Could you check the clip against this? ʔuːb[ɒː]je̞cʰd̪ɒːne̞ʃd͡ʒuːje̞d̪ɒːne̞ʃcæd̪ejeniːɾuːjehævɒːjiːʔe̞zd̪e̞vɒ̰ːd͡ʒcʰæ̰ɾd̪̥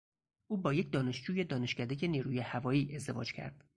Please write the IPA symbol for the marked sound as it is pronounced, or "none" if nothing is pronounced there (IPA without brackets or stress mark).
ɒː